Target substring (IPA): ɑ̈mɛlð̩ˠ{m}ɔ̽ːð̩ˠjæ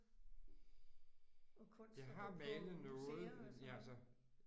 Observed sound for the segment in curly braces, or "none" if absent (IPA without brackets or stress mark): n